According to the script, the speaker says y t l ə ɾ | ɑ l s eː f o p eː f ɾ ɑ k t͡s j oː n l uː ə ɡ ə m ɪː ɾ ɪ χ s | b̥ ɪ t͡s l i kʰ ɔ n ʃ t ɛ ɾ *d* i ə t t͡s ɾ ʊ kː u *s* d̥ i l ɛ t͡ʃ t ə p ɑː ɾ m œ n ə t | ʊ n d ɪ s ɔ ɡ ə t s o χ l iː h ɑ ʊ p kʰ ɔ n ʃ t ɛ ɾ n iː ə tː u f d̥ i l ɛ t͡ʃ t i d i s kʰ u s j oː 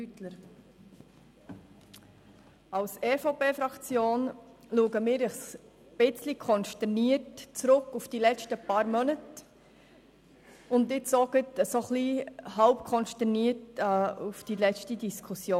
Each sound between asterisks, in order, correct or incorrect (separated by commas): incorrect, incorrect